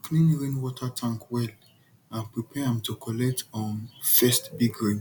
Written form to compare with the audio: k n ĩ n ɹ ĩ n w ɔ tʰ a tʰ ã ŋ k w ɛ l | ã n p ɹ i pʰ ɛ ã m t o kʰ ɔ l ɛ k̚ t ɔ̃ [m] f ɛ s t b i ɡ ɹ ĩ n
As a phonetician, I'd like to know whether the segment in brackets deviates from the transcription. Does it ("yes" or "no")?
yes